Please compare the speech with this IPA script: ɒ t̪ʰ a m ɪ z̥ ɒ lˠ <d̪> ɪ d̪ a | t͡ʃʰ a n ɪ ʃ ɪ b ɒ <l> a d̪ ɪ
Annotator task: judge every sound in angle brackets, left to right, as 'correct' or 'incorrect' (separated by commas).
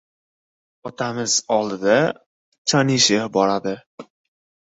correct, incorrect